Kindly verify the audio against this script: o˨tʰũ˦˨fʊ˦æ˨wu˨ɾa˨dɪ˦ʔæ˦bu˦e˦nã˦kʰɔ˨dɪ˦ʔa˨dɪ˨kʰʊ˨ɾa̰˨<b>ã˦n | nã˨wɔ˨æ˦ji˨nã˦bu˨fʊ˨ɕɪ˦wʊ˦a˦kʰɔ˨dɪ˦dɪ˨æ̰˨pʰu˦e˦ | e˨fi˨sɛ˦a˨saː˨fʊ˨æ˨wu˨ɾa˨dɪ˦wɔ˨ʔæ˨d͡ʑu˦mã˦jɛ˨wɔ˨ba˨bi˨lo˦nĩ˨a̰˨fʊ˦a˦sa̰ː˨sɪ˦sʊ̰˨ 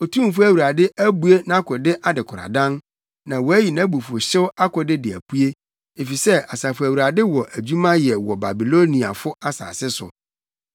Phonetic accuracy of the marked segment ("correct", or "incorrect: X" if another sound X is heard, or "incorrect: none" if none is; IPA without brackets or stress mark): incorrect: d